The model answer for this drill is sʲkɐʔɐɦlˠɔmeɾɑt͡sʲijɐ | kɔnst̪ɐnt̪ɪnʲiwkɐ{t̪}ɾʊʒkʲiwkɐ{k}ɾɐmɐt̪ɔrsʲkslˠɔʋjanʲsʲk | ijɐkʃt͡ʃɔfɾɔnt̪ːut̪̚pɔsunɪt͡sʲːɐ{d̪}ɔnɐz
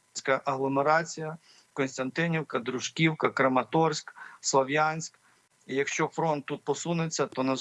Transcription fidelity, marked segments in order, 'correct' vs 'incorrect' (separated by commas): incorrect, correct, incorrect